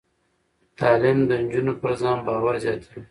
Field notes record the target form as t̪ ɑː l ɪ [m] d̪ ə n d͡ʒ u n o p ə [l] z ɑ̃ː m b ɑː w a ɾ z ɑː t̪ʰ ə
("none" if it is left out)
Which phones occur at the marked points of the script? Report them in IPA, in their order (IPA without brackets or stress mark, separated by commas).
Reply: m, ɾ